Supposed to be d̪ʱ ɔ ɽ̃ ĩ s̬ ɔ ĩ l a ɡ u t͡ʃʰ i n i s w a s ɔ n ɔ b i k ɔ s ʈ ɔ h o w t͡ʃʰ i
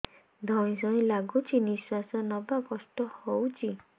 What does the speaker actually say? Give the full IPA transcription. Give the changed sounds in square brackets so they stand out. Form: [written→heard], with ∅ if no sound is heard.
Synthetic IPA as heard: d̪ʱ ɔ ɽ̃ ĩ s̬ ɔ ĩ l a ɡ u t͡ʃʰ i n i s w a s ɔ n ɔ b [i→a] k ɔ s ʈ ɔ h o w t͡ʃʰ i